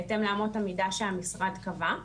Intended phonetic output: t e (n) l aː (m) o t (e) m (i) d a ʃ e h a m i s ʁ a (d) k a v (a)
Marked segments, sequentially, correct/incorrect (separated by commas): incorrect, correct, incorrect, correct, correct, correct